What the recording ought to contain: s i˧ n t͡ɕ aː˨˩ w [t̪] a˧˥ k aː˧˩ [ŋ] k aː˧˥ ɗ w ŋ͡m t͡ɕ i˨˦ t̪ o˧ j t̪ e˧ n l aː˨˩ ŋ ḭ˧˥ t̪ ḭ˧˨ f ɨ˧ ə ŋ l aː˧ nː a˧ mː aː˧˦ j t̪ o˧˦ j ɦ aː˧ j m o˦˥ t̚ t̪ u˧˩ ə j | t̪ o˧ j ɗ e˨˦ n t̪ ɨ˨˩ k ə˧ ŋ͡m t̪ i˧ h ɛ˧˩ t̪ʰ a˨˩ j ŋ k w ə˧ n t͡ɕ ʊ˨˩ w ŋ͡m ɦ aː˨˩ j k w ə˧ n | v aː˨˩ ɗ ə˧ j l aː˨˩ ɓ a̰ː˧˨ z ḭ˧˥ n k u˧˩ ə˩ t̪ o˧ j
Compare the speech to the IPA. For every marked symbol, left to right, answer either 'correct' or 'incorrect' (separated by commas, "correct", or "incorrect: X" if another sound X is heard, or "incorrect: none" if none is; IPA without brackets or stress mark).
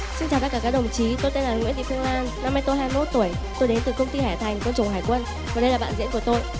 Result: correct, incorrect: none